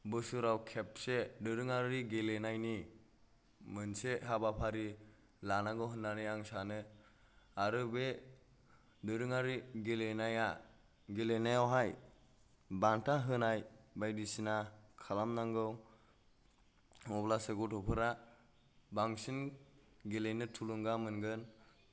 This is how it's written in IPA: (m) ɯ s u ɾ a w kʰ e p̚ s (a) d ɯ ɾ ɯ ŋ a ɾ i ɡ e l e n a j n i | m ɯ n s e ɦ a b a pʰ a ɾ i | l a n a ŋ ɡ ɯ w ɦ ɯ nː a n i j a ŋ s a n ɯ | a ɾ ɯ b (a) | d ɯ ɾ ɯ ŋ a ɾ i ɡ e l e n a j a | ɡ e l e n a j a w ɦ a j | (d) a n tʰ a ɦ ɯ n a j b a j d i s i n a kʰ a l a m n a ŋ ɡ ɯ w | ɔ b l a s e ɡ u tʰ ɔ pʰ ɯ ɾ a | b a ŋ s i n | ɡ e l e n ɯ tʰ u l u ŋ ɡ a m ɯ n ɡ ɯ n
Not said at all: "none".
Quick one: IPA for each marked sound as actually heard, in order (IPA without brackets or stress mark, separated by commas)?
b, e, e, b